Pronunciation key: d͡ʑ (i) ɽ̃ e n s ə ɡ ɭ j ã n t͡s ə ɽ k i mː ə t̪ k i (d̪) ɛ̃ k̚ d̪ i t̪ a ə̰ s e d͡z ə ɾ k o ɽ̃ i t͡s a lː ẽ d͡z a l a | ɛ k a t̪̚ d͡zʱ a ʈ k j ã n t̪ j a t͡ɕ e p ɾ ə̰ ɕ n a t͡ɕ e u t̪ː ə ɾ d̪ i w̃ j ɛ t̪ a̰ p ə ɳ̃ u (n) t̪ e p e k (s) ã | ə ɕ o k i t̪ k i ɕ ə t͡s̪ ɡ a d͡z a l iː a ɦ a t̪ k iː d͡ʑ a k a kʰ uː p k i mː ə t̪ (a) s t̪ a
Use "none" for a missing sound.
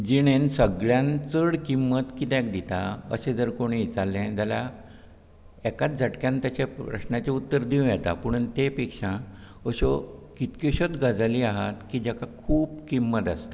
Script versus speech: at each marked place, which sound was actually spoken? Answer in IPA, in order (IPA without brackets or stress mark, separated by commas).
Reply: i, t̪, n, ʂ, a